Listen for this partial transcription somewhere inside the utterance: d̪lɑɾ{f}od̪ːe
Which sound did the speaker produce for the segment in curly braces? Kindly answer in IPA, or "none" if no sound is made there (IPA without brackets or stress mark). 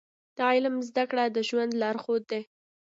x